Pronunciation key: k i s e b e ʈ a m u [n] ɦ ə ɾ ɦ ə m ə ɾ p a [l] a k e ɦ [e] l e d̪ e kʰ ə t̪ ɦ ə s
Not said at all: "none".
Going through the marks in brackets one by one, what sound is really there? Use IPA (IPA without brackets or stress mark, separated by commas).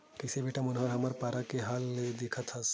n, ɾ, a